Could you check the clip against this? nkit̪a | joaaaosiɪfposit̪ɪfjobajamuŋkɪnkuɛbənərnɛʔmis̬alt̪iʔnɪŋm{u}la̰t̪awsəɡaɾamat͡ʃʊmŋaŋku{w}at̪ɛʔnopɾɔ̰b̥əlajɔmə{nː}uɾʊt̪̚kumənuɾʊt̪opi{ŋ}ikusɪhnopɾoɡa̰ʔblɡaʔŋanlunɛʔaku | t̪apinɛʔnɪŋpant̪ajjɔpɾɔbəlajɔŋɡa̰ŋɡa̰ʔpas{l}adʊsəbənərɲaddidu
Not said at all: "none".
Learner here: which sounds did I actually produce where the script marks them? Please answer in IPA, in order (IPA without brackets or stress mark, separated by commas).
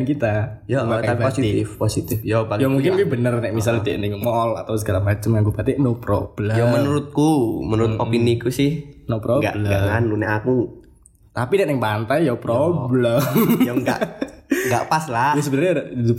ɔ, b, n, n, l